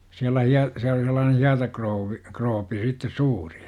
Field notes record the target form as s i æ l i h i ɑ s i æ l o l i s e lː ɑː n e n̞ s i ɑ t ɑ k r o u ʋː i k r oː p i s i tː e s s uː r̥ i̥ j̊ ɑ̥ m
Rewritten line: s i æ l æ h i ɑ s i æ l o l i s e lː ɑː n e n̞ h i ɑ t ɑ k r o u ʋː i k r oː p i s i tː e s s uː r̥ i̥ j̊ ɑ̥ m

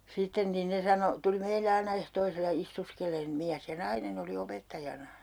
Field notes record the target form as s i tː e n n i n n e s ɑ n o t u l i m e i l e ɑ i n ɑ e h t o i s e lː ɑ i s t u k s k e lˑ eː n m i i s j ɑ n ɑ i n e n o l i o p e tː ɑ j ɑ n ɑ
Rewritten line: s i tː e n n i n n e s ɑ n o t u l i m e i l e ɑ i n ɑ e h t o i s e lː ɑ i s t u s k e lˑ eː n m i æ s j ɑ n ɑ i n e n o l i o p e tː ɑ j ɑ n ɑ

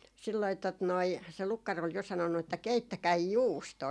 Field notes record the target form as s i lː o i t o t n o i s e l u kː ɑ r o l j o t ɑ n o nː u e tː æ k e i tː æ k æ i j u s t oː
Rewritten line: s i lː o i t o t n o i s e l u kː ɑ r o l j o s ɑ n o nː u e tː æ k e i tː æ k æ i j uː s t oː

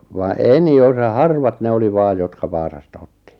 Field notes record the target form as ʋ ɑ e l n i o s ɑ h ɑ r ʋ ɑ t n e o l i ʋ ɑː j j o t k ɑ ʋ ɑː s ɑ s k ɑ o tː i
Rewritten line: ʋ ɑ e n i o s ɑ h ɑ r ʋ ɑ t n e o l i ʋ ɑː j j o t k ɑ ʋ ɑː s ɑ s t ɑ o tː i

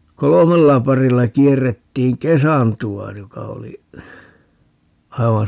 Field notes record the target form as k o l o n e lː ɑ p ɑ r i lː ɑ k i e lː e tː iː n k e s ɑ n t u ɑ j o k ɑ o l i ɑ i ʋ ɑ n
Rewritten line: k o l o m e lː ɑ p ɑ r i lː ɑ k i e rː e tː iː ŋ k e s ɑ n t u ɑ j o k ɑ o l i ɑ i ʋ ɑ n

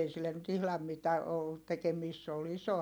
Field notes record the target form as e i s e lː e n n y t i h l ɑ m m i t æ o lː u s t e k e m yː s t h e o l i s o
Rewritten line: e i s i lː e n n y t i h l ɑ m m i t æ o lː u t t e k e m iː s t s e o l i s o

